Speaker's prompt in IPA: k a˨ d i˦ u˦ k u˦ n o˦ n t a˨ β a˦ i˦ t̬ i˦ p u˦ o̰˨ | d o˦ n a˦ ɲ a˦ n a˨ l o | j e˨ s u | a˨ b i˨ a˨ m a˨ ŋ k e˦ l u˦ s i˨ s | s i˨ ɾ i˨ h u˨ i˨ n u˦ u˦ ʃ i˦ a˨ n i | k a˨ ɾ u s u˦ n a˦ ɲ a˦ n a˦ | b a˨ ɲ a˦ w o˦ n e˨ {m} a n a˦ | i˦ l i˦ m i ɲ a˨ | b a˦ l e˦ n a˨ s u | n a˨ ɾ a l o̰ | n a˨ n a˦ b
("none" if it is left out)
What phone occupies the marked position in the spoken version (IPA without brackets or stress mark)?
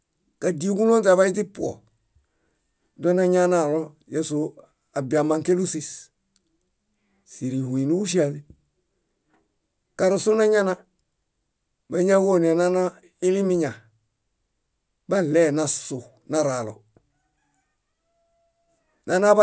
n